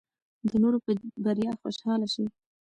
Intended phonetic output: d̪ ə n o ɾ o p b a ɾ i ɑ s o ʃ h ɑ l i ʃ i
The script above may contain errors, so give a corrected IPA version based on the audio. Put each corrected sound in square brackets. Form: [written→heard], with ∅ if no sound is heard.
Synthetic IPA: d̪ ə n o ɾ o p b a ɾ [i→j] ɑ [s→x] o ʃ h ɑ l [i→a] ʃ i